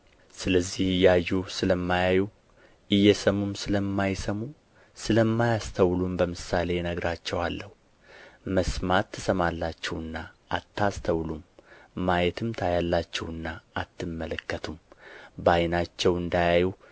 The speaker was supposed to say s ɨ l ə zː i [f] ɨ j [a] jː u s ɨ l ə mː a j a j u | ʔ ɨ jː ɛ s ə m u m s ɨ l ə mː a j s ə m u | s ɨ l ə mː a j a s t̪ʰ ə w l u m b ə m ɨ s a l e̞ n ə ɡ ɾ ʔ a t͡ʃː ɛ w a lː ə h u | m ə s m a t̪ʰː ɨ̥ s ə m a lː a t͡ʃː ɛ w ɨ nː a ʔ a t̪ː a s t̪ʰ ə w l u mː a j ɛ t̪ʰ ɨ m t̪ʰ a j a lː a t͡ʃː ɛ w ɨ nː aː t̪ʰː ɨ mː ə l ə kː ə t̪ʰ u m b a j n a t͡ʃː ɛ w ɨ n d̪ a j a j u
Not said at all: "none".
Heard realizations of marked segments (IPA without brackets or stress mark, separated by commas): h, a